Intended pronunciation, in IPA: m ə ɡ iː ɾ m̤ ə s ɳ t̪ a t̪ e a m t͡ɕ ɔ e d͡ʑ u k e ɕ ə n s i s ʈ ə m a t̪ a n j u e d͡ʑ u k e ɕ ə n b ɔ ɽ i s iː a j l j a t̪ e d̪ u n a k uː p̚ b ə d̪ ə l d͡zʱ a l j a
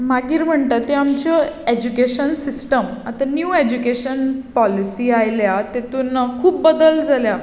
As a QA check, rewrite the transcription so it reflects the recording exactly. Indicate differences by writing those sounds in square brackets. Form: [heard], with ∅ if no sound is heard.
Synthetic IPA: m [a] ɡ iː ɾ m̤ ə [∅] ɳ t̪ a t̪ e a m t͡ɕ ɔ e d͡ʑ u k e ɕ ə n s i s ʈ ə m a t̪ a n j u e d͡ʑ u k e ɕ ə n [p] ɔ [l] i s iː a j l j a t̪ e [t̪] u n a [kʰ] uː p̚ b ə d̪ ə l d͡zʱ a l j a